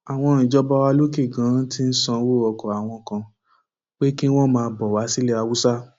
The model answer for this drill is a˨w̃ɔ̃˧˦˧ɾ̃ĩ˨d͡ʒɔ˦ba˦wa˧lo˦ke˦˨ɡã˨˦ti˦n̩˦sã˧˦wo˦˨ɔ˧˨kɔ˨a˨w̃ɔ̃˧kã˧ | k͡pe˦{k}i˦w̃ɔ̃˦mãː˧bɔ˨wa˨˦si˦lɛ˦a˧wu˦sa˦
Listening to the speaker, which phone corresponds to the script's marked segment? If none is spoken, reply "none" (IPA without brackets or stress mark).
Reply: k